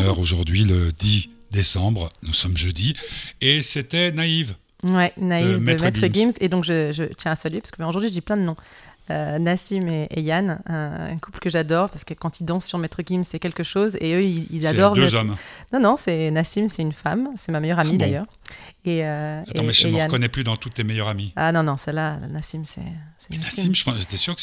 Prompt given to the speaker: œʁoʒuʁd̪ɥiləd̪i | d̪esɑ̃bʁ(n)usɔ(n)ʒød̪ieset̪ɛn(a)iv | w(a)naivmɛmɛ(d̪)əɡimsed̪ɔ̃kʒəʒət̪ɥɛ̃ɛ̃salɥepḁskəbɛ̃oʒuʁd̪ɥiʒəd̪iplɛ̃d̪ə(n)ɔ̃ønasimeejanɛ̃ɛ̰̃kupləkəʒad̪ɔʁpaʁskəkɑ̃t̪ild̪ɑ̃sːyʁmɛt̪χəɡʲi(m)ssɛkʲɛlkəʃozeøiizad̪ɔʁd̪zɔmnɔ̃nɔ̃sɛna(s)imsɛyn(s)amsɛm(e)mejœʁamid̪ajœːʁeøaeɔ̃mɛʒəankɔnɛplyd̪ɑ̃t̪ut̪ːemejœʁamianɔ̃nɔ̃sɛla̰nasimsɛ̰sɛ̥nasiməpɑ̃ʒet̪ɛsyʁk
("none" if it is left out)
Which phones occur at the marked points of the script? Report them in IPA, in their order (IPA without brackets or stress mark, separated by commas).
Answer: n, m, a, ɛ, t̪, n, m, s, f, a